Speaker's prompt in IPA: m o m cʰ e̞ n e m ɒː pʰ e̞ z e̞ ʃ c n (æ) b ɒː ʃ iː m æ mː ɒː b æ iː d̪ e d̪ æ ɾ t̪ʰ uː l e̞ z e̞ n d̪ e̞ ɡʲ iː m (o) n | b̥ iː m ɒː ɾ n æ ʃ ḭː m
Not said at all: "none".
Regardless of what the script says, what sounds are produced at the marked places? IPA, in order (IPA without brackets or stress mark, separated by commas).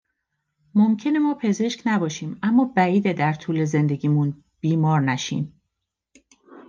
æ, u